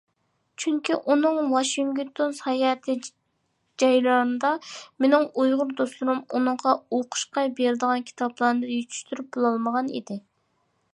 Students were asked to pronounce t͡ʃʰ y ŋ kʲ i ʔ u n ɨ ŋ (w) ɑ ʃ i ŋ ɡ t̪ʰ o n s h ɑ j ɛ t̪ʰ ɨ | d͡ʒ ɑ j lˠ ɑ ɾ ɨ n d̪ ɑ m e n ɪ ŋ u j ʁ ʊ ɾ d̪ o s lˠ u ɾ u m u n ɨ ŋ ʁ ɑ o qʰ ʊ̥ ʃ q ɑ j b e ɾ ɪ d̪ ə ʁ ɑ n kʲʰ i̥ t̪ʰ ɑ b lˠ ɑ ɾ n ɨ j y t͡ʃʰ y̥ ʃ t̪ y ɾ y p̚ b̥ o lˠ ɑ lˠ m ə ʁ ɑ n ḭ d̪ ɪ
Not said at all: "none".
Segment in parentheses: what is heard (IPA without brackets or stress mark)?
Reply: w